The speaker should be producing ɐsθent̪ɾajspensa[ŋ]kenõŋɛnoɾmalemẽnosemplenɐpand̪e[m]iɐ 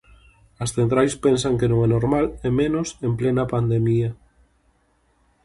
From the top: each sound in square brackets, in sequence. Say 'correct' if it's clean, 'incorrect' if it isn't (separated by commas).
correct, correct